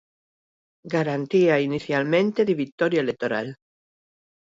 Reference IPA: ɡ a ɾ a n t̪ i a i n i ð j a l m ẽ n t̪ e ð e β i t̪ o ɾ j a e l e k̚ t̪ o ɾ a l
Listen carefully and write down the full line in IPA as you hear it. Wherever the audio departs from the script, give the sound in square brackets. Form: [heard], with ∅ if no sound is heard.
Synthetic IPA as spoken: ɡ a ɾ a n t̪ i a i n i [θ] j a l m ẽ n t̪ e ð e β i t̪ o ɾ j a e l e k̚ t̪ o ɾ a l